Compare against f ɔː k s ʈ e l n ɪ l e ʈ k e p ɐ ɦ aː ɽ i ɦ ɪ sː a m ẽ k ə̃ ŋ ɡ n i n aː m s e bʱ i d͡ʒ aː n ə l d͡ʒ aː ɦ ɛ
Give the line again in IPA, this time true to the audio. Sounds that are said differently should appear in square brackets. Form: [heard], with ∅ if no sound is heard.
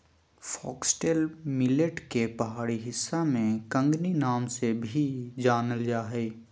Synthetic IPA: f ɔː k s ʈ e l [m] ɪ l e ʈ k e p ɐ ɦ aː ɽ i ɦ ɪ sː a m ẽ k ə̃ ŋ ɡ n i n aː m s e bʱ i d͡ʒ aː n ə l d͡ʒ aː ɦ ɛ